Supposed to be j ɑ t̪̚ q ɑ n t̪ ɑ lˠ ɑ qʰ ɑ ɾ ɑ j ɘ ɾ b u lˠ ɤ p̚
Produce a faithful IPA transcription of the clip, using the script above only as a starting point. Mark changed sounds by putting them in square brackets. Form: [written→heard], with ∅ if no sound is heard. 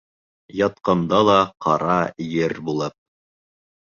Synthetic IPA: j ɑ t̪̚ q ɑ n [t̪→d̪] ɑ lˠ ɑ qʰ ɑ ɾ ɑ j ɘ ɾ b u lˠ ɤ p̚